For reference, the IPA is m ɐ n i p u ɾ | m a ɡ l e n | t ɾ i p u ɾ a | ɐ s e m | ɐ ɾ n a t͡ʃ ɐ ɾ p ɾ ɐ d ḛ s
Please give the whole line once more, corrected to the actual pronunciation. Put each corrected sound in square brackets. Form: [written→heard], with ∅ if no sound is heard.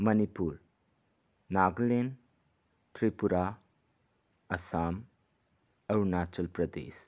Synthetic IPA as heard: m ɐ n i p u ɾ | [m→n] a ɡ l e n | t ɾ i p u ɾ a | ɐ s [e→a] m | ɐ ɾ n a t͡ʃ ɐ [ɾ→l] p ɾ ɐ d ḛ s